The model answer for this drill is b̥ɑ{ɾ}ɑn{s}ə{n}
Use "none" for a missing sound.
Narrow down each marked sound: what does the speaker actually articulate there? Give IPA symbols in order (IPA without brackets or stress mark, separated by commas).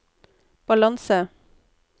l, s, none